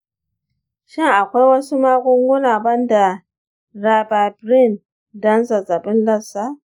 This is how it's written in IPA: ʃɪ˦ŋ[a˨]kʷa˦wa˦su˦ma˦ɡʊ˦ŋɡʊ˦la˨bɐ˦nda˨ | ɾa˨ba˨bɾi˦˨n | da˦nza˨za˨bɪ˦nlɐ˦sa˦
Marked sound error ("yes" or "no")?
no